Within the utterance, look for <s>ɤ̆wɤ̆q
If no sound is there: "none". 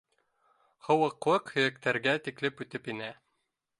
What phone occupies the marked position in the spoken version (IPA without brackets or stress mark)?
h